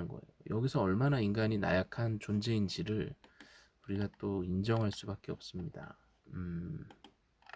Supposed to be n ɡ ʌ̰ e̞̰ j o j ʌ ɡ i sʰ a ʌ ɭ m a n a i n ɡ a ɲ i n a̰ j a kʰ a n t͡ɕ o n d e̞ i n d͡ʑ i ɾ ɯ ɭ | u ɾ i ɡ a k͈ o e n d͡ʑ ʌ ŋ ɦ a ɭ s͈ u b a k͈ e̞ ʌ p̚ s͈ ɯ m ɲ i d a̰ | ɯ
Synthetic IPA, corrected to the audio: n ɡ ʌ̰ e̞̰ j o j ʌ ɡ i sʰ ʌ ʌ ɭ m a n a i n ɡ a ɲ i n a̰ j a kʰ a n t͡ɕ o n d͡ʑ e̞ i n d͡ʑ i ɾ ɯ ɭ | u ɾ i ɡ a t͈ o i n d͡ʑ ʌ ŋ ɦ a ɭ s͈ u b a k͈ e̞ ʌ p̚ s͈ ɯ m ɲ i d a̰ | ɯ